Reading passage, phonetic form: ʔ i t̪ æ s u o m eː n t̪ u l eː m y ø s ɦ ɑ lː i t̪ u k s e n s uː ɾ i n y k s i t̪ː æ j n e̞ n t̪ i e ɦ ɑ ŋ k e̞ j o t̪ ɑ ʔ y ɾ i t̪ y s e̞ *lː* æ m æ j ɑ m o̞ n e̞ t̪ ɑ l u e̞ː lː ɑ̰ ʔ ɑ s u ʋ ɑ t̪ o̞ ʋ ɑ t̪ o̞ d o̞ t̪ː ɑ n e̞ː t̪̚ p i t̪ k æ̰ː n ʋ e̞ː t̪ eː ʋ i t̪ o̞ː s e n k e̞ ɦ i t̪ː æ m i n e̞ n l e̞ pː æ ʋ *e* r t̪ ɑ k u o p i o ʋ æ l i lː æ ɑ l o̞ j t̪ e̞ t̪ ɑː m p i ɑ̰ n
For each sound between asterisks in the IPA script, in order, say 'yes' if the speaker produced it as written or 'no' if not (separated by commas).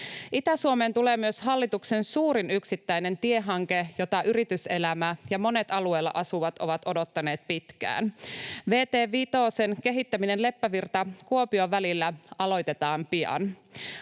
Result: no, no